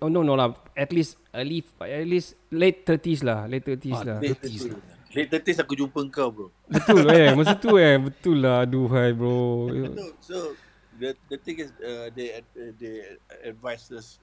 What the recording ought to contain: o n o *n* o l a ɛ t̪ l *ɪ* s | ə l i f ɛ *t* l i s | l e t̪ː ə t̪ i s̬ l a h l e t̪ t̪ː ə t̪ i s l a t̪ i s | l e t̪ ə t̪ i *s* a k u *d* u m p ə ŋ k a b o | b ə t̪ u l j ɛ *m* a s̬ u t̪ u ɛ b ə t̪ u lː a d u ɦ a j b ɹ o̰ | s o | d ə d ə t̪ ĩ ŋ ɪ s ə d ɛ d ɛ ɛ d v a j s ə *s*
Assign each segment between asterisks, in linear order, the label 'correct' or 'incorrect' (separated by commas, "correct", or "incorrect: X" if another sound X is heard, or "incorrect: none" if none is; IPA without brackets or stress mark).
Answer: correct, incorrect: i, correct, correct, incorrect: d͡ʒ, correct, correct